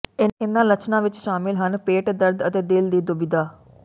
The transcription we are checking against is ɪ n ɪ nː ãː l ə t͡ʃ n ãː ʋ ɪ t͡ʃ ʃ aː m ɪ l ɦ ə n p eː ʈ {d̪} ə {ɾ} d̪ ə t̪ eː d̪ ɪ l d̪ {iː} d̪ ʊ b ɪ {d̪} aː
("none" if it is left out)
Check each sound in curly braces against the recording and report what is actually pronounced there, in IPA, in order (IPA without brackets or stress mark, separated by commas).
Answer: d̪, ɾ, iː, d̪